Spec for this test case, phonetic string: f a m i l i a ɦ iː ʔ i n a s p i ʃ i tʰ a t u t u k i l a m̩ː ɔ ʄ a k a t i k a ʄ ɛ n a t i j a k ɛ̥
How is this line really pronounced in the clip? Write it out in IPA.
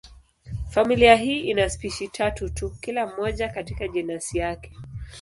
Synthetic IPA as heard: f a m i l i a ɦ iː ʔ i n a s p i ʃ i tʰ a t u t u k i l a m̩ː ɔ ʄ a k a t i k a ʄ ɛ n a s i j a k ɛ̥